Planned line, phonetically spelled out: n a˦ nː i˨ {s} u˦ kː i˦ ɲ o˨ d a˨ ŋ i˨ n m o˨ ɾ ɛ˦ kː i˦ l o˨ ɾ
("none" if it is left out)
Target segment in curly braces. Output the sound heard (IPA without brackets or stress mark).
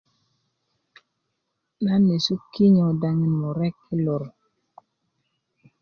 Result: s